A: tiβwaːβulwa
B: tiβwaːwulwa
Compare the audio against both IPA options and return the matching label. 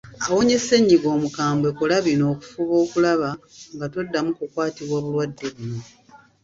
A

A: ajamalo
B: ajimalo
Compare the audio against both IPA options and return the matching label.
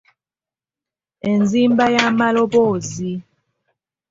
A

